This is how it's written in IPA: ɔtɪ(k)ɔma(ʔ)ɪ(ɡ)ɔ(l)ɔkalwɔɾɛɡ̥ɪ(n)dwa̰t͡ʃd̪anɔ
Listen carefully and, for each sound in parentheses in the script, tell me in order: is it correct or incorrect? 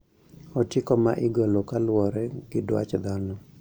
correct, correct, correct, correct, incorrect: none

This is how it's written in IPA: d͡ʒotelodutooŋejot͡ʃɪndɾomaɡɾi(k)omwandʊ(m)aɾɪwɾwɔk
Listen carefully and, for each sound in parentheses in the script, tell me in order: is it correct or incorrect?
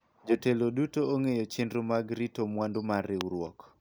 incorrect: t, correct

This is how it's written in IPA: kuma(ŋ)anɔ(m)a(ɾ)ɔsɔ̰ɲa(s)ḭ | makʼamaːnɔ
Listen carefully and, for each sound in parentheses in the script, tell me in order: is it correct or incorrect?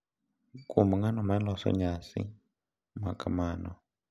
correct, correct, incorrect: l, correct

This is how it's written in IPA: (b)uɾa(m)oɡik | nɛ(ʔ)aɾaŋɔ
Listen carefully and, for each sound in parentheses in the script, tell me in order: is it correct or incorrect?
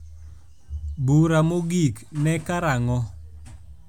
correct, correct, incorrect: k

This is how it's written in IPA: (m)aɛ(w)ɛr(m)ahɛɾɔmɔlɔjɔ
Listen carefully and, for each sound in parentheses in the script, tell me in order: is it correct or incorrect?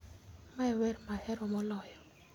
correct, correct, correct

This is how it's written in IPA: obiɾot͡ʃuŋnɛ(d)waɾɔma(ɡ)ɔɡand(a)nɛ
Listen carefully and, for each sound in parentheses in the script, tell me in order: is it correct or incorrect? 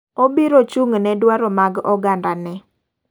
correct, correct, correct

